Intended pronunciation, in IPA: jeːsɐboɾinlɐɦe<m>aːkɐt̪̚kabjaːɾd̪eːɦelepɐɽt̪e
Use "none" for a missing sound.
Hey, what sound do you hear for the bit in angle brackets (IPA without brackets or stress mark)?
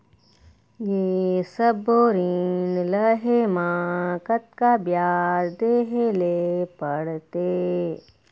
m